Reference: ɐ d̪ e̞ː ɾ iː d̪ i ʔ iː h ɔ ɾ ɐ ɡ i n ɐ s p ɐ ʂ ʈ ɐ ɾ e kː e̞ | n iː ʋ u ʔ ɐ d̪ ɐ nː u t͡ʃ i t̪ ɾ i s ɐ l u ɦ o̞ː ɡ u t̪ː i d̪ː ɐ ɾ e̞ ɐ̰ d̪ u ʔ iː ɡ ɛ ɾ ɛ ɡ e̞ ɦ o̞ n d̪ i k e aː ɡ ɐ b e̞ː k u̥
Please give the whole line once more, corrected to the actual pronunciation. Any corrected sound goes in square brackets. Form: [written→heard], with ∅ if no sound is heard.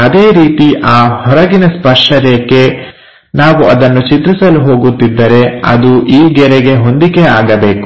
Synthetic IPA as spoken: ɐ d̪ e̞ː ɾ iː [d̪→t̪] i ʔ [iː→aː] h ɔ ɾ ɐ ɡ i n ɐ s p ɐ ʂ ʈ ɐ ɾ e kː e̞ | n [iː→aː] ʋ u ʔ ɐ d̪ ɐ nː u t͡ʃ i t̪ ɾ i s ɐ l u ɦ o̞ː ɡ u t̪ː i d̪ː ɐ ɾ e̞ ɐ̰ d̪ u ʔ iː ɡ ɛ ɾ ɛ ɡ e̞ ɦ o̞ n d̪ i k e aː ɡ ɐ b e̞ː k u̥